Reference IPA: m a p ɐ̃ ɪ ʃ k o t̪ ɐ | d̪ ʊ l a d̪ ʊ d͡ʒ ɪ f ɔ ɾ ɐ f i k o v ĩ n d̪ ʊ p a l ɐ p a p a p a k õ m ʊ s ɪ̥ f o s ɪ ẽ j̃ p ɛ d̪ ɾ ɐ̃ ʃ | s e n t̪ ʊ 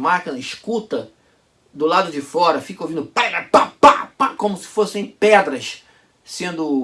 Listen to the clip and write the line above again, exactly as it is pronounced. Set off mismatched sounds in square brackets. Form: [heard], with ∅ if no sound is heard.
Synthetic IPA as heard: m a [k] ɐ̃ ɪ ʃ k [u] t̪ ɐ | d̪ ʊ l a d̪ ʊ d͡ʒ ɪ f ɔ ɾ ɐ f i k o v ĩ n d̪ ʊ p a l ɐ p a p a p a k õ m ʊ s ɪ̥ f o s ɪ ẽ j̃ p ɛ d̪ ɾ [ɐ] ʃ | s [ẽ] n [d̪] ʊ